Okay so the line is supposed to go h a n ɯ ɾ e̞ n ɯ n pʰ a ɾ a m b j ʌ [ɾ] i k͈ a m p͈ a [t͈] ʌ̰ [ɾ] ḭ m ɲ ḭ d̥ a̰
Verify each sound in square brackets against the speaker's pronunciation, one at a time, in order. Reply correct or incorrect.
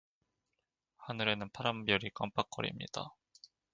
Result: correct, incorrect, correct

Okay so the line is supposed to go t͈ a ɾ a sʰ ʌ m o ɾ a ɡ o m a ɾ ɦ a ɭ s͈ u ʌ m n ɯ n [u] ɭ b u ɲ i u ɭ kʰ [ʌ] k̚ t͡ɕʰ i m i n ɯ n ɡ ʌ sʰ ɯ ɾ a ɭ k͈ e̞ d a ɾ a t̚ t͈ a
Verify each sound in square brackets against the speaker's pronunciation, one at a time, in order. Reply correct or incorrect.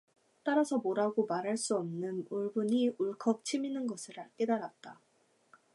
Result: correct, correct

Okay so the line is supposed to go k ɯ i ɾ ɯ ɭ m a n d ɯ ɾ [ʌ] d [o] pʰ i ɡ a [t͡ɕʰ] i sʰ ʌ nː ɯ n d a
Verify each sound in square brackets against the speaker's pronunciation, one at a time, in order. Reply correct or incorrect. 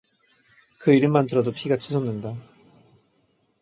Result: correct, correct, correct

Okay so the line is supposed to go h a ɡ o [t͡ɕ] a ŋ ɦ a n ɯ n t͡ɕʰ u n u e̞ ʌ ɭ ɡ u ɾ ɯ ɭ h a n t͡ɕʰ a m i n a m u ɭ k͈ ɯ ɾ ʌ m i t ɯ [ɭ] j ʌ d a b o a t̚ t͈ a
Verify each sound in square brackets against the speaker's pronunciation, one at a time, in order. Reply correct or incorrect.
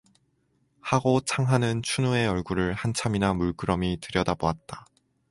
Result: incorrect, incorrect

